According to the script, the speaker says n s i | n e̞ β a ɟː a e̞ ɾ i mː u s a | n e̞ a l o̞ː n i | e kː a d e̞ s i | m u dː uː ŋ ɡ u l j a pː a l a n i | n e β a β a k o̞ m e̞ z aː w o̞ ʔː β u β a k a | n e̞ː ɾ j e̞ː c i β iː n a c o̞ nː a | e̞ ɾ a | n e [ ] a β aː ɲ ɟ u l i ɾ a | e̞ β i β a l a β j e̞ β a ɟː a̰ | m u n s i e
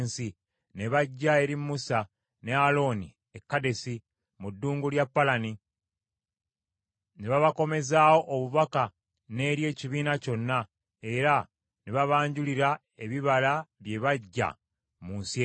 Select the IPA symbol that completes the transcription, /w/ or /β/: β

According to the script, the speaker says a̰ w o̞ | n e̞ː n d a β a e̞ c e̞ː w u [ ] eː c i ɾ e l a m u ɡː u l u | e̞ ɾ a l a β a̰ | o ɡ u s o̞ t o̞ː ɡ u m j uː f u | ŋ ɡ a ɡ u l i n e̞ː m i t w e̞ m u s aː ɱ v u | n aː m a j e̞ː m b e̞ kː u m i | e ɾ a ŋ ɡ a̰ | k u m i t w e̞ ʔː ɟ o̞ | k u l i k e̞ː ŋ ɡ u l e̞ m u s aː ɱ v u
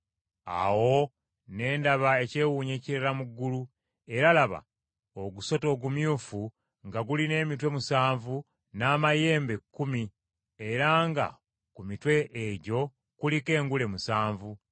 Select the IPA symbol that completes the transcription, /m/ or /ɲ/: ɲ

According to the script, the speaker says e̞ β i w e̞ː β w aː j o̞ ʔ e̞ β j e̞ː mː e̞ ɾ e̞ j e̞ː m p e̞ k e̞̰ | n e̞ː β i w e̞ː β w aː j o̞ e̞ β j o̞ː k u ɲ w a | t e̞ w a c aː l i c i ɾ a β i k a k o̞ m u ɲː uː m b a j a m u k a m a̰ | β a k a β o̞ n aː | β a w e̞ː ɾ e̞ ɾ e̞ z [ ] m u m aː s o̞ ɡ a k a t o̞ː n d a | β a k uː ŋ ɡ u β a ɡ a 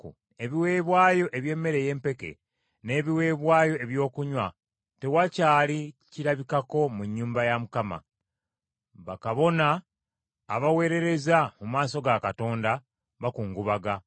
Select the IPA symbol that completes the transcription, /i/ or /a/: a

